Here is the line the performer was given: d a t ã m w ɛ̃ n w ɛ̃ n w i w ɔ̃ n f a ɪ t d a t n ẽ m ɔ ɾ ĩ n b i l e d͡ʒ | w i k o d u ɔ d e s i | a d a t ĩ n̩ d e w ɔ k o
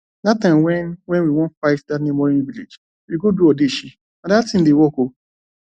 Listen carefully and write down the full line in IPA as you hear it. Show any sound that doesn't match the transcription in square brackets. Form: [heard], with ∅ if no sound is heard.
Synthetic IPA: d a t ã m w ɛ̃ n w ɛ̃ n w i w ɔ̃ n f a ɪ t d a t n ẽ m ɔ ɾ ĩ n [v] i l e d͡ʒ | w i [ɡ] o d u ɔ d e [ʃ] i | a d a t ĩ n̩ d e w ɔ k o